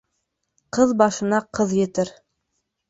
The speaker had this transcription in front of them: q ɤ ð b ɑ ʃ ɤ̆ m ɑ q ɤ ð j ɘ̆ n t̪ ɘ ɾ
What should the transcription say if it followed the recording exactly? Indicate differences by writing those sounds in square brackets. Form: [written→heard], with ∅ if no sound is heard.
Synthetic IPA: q ɤ ð b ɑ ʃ ɤ̆ [m→n] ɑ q ɤ ð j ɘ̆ [n→∅] t̪ ɘ ɾ

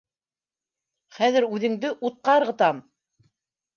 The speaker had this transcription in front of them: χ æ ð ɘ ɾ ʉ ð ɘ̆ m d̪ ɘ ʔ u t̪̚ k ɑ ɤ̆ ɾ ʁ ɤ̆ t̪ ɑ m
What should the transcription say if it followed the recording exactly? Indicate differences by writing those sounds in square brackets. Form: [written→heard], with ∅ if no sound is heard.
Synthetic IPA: χ æ ð ɘ ɾ ʉ ð ɘ̆ [m→ŋ] d̪ ɘ ʔ u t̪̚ [k→q] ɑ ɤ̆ ɾ ʁ ɤ̆ t̪ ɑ m

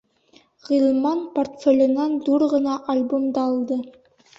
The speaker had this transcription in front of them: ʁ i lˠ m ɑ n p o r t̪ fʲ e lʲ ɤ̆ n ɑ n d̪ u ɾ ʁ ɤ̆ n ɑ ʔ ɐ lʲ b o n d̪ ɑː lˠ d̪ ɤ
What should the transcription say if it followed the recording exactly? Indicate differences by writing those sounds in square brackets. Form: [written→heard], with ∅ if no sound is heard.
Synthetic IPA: ʁ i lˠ m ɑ n p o r t̪ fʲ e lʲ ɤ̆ n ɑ n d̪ u ɾ ʁ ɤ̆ n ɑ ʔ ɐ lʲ b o [n→m] d̪ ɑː lˠ d̪ ɤ

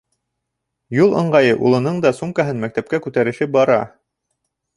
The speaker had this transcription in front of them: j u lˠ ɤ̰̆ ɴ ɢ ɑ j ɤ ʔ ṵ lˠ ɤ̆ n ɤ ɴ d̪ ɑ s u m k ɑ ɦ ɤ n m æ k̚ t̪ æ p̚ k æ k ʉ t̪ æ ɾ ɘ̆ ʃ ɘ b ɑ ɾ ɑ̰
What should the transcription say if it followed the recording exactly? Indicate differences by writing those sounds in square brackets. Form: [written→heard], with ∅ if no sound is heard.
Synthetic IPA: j u lˠ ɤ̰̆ ɴ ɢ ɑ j ɤ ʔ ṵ lˠ ɤ̆ n ɤ ɴ d̪ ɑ s u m k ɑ ɦ ɤ n m æ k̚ t̪ æ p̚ k æ k ʉ t̪ æ ɾ ɘ̆ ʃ ɘ b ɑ ɾ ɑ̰

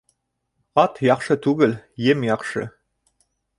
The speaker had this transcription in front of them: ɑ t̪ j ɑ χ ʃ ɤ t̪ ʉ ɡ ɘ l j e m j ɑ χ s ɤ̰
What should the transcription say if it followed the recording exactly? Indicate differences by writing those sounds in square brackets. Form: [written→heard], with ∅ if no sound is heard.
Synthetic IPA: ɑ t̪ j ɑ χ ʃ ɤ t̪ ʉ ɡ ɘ l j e m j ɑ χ [s→ʃ] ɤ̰

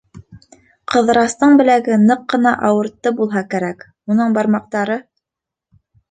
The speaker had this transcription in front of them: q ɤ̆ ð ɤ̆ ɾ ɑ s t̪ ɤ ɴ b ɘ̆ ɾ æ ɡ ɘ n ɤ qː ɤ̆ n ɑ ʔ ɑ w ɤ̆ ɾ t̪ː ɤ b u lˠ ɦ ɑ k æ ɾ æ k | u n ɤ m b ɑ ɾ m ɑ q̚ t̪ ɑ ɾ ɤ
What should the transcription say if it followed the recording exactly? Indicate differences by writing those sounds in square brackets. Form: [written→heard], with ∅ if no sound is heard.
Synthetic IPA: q ɤ̆ ð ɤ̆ ɾ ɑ s t̪ ɤ ɴ b ɘ̆ [ɾ→l] æ ɡ ɘ n ɤ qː ɤ̆ n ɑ ʔ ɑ w ɤ̆ ɾ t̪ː ɤ b u lˠ ɦ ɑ k æ ɾ æ k | u n ɤ [m→ɴ] b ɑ ɾ m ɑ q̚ t̪ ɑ ɾ ɤ

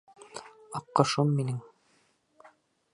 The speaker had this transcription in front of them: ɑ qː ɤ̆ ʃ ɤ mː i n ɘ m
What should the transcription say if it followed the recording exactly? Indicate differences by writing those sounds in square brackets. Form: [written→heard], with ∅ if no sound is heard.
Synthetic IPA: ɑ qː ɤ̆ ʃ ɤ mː i n ɘ [m→ŋ]

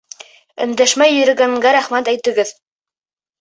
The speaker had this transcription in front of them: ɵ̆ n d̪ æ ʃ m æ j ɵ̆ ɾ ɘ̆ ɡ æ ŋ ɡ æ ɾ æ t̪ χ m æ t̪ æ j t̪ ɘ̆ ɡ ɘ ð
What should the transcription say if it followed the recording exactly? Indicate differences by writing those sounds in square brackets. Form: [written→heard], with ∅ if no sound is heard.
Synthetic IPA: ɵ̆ n d̪ æ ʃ m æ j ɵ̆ ɾ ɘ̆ ɡ æ ŋ ɡ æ ɾ æ [t̪→∅] χ m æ t̪ æ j t̪ ɘ̆ ɡ ɘ ð

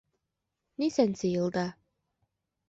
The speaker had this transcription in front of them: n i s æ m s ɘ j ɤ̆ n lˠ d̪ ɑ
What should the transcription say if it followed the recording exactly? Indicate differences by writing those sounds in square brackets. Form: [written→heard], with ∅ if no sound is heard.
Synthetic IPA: n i s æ [m→n] s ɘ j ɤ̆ [n→∅] lˠ d̪ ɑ

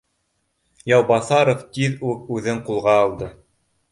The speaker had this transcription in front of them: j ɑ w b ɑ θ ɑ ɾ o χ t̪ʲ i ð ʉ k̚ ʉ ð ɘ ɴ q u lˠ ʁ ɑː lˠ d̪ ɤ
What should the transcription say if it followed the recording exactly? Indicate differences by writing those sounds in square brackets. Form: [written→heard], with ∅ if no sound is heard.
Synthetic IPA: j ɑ w b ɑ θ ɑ ɾ o [χ→f] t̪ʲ i ð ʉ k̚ ʉ ð ɘ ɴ q u lˠ ʁ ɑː lˠ d̪ ɤ

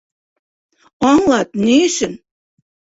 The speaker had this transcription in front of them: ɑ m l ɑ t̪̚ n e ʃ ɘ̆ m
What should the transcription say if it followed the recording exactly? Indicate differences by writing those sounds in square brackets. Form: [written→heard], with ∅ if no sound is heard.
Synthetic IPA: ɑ [m→ŋ] l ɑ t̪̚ n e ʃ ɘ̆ [m→n]

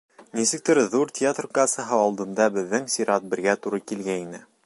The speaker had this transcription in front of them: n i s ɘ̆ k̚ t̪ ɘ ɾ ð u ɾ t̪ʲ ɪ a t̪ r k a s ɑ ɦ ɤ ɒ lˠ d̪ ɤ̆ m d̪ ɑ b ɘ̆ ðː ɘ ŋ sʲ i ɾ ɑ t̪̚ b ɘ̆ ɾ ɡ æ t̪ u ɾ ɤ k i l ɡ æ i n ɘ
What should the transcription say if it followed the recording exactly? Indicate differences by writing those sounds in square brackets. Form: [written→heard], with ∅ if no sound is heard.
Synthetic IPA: n i s ɘ̆ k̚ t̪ ɘ ɾ ð u ɾ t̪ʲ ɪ a t̪ r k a s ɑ ɦ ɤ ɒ lˠ d̪ ɤ̆ m d̪ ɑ b ɘ̆ ðː ɘ ŋ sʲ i ɾ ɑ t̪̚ b ɘ̆ ɾ ɡ æ t̪ u ɾ ɤ k i l ɡ æ i n ɘ

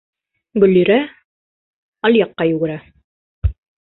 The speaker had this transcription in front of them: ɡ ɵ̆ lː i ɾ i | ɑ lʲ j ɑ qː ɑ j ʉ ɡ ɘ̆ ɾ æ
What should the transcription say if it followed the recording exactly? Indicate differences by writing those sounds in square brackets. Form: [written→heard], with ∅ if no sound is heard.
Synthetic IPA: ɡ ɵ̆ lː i ɾ [i→æ] | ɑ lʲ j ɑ qː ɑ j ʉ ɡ ɘ̆ ɾ æ

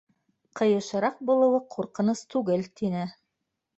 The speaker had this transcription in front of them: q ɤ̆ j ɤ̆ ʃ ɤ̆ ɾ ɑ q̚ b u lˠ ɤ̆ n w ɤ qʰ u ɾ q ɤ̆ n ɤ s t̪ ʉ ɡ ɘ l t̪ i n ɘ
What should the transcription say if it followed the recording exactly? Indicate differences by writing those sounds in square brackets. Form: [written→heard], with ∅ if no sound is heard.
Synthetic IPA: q ɤ̆ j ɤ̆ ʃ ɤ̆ ɾ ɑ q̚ b u lˠ ɤ̆ [n→∅] w ɤ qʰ u ɾ q ɤ̆ n ɤ s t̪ ʉ ɡ ɘ l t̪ i n ɘ

